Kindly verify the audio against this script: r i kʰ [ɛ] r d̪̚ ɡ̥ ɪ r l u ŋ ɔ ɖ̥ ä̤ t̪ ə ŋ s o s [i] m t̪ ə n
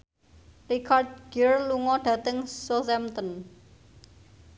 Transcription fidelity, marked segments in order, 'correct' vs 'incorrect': incorrect, incorrect

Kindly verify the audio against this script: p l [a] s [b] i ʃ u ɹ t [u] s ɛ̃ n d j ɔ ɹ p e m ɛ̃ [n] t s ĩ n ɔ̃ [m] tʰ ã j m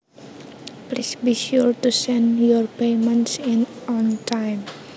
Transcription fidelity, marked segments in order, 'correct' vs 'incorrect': incorrect, correct, correct, correct, incorrect

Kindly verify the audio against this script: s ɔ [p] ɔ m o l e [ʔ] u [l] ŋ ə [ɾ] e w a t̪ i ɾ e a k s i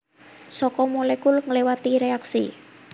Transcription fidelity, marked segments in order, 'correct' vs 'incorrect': incorrect, incorrect, correct, incorrect

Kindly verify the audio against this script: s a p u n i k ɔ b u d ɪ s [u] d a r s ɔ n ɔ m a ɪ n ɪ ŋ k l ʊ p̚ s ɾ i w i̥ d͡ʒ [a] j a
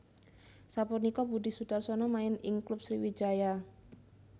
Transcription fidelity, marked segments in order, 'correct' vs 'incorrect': correct, correct

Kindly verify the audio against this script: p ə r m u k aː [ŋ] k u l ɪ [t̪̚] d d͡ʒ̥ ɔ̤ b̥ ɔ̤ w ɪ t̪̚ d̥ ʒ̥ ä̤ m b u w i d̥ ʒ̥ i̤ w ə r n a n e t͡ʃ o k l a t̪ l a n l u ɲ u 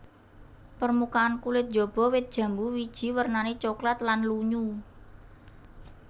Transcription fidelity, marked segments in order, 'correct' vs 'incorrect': incorrect, correct

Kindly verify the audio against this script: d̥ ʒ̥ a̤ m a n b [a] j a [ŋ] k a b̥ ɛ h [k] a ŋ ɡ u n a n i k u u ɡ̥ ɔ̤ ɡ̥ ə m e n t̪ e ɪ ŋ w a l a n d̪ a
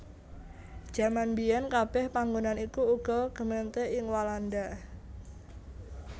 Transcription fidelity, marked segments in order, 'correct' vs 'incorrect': incorrect, incorrect, incorrect

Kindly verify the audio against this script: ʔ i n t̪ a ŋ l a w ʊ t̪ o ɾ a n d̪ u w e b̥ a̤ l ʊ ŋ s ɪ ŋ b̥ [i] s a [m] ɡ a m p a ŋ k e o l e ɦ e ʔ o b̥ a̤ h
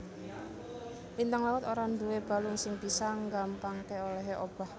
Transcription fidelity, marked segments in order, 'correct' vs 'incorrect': correct, incorrect

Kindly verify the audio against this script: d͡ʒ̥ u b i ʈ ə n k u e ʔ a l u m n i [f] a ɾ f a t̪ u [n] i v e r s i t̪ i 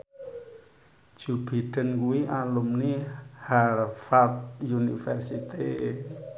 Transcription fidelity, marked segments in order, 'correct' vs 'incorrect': incorrect, correct

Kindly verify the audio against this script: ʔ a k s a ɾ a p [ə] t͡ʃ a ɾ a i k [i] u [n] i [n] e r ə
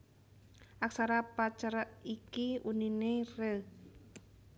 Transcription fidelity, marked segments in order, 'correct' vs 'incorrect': incorrect, correct, correct, correct

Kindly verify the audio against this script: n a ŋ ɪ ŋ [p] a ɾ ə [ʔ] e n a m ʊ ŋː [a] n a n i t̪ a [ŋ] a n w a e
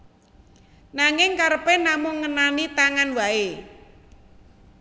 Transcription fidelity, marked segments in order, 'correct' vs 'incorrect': incorrect, incorrect, incorrect, correct

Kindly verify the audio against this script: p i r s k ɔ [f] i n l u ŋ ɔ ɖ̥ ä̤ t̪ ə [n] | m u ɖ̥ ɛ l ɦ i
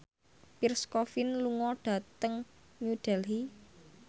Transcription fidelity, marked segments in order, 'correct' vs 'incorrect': correct, incorrect

